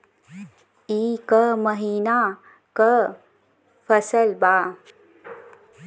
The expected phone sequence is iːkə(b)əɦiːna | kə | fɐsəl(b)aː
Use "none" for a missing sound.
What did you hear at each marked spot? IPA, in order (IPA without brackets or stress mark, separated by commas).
m, b